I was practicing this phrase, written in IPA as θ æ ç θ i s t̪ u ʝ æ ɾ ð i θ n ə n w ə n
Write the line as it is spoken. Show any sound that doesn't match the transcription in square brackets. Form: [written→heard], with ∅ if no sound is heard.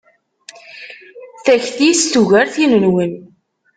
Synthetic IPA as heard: θ æ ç θ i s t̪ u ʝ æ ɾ [ð→θ] i [θ→∅] n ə n w ə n